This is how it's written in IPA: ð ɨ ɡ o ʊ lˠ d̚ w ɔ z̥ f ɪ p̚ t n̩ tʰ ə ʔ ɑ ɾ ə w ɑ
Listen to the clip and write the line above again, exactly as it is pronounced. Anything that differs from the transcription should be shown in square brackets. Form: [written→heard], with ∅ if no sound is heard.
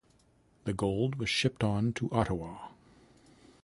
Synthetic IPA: ð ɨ ɡ o ʊ lˠ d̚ w [ɔ→ʌ] z̥ [f→ʃ] ɪ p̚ t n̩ tʰ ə ʔ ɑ ɾ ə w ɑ